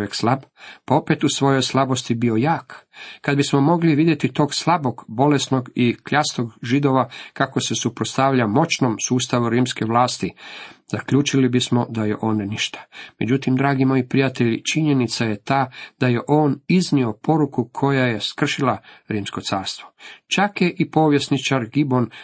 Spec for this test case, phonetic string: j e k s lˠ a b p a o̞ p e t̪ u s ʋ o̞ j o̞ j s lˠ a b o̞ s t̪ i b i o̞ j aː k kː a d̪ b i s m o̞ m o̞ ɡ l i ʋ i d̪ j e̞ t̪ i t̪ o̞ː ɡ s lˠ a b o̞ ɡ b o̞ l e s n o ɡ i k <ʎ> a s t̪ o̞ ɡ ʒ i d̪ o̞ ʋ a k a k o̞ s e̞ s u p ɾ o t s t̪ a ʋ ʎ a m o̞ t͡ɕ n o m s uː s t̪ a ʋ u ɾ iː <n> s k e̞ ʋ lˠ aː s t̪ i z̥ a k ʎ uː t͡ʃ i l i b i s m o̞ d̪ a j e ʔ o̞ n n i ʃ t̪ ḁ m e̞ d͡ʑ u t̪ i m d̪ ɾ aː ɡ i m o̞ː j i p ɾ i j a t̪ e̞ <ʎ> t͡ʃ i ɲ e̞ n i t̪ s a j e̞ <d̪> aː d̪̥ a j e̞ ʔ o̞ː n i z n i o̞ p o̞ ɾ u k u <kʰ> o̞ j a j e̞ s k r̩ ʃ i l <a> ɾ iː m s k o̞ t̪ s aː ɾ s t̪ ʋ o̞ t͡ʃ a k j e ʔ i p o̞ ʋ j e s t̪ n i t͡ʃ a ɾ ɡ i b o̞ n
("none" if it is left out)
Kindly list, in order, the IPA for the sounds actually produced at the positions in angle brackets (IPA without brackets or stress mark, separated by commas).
ʎ, m, ʎ, t̪, kʰ, a